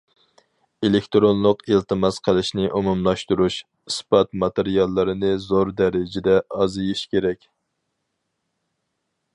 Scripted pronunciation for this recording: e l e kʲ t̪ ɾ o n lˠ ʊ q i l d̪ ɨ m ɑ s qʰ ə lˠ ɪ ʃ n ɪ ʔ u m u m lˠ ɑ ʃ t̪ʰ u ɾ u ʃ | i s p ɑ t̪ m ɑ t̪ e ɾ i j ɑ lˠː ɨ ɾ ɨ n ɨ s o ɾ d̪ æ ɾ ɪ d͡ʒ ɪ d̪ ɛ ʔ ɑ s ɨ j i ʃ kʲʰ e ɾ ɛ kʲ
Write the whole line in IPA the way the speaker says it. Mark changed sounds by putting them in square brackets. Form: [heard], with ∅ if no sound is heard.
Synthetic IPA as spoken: e l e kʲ t̪ ɾ o n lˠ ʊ q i l [t̪] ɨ m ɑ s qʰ ə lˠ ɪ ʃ n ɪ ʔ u m u m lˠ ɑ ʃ [t̪] u ɾ u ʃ | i s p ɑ t̪ m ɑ t̪ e ɾ i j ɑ lˠː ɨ ɾ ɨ n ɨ [z] o ɾ d̪ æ ɾ ɪ d͡ʒ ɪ d̪ ɛ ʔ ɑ [z] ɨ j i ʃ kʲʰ e ɾ ɛ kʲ